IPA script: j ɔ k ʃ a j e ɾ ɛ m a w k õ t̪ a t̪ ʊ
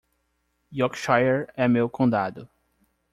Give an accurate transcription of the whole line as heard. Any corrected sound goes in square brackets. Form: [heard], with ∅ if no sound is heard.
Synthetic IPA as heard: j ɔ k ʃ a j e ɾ ɛ m [e] w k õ [d̪] a [d̪] ʊ

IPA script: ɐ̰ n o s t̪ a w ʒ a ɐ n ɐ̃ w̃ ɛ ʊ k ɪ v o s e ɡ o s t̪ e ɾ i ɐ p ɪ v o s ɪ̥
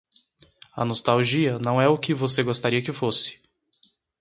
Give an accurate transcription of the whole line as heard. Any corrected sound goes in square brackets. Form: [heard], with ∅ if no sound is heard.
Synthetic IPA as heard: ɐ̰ n o s t̪ a w ʒ [i] ɐ n ɐ̃ w̃ ɛ ʊ k ɪ v o s e ɡ o s t̪ [a] ɾ i ɐ [k] ɪ [f] o s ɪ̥

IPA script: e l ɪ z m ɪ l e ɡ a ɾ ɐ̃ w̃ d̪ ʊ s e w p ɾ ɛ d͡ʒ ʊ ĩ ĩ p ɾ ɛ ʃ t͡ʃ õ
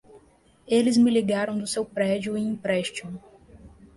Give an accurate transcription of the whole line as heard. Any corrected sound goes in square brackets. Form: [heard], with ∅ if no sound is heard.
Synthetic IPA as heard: e l ɪ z m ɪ l [i] ɡ a ɾ ɐ̃ w̃ d̪ ʊ s e w p ɾ ɛ d͡ʒ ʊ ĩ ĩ p ɾ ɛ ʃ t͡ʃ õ

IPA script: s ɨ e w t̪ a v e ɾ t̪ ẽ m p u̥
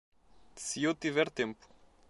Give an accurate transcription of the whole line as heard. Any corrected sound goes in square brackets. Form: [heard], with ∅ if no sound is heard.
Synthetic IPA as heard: s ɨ e w t̪ [i] v [ɛ] ɾ t̪ ẽ m p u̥

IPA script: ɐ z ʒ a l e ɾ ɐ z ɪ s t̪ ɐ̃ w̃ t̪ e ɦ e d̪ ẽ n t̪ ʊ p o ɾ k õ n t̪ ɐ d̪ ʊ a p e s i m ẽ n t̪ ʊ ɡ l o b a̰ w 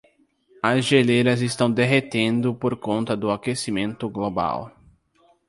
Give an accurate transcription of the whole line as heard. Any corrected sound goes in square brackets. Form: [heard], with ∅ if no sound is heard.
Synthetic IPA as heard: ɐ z ʒ [e] l e ɾ ɐ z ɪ s t̪ ɐ̃ w̃ [d̪] e ɦ e [t̪] ẽ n [d̪] ʊ p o ɾ k õ n t̪ ɐ d̪ ʊ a [k] e s i m ẽ n t̪ ʊ ɡ l o b a̰ w

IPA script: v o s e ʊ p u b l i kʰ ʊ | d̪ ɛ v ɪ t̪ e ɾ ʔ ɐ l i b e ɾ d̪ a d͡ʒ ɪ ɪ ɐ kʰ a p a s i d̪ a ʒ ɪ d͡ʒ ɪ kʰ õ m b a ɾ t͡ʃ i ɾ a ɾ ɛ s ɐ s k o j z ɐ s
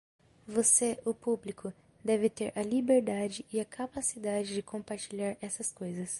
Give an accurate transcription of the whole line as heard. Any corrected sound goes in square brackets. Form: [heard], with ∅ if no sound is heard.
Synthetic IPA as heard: v o s e ʊ p u b l i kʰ ʊ | d̪ ɛ v ɪ t̪ e ɾ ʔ ɐ l i b e ɾ d̪ a d͡ʒ ɪ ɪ ɐ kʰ a p a s i d̪ a [d͡ʒ] ɪ d͡ʒ ɪ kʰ õ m [p] a ɾ t͡ʃ i [ʎ] a ɾ ɛ s ɐ s k o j z ɐ s

